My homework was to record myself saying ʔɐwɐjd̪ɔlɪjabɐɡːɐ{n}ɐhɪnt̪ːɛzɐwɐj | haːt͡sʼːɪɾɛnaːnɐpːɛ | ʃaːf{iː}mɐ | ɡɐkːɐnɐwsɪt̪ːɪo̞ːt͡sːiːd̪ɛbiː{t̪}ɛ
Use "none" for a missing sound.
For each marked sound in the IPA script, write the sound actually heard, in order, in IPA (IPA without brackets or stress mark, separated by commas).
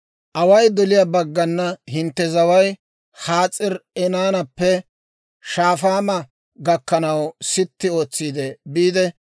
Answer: nː, aː, d̪